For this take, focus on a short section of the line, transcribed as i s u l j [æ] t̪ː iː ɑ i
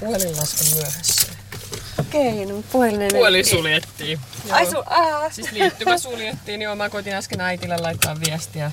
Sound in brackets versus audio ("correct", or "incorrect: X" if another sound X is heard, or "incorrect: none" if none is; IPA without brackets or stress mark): incorrect: e